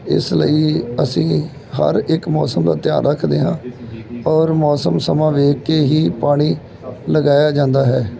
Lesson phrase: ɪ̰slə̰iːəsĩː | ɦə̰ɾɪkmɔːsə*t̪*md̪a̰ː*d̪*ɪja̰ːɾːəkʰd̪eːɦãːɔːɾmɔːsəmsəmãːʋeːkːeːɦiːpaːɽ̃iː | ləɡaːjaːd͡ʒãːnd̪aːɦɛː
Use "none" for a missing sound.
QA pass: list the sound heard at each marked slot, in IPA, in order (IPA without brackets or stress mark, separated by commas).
none, t̪